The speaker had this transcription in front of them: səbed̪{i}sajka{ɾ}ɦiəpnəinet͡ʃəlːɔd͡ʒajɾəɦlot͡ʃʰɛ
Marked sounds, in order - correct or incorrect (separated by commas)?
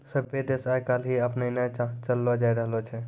incorrect, incorrect